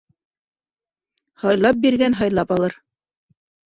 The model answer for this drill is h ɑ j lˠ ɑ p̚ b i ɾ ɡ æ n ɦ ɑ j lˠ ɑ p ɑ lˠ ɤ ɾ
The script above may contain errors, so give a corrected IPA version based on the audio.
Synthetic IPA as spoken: h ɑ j lˠ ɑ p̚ b i ɾ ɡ æ n ɦ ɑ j lˠ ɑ p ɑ lˠ ɤ ɾ